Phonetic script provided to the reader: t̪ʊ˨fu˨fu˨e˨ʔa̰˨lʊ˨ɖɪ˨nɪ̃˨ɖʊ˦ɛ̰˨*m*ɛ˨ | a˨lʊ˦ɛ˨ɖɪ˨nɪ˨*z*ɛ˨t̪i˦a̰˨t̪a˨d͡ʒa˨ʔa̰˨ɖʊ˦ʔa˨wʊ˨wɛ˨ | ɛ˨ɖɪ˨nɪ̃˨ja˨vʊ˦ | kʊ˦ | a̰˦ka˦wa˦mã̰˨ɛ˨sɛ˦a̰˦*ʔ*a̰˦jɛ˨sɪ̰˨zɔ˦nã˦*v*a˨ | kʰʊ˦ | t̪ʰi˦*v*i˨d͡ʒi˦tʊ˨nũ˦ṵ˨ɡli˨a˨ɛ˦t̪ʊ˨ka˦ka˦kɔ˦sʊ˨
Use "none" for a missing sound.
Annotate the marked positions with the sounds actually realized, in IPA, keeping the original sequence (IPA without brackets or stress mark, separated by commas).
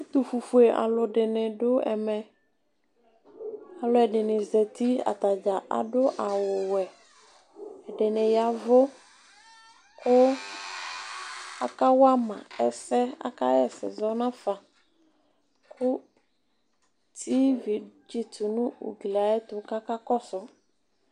m, z, k, f, v